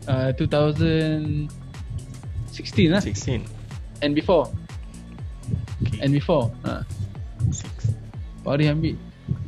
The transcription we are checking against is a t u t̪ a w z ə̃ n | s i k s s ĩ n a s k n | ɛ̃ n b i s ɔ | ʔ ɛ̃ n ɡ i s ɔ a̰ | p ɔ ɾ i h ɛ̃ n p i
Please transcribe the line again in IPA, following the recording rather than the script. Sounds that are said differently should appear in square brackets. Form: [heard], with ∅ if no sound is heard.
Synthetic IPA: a t u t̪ a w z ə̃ n | s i k s [t] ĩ n a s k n | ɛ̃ n b i [f] ɔ | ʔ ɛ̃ n [b] i [f] ɔ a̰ | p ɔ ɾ i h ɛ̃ [m] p i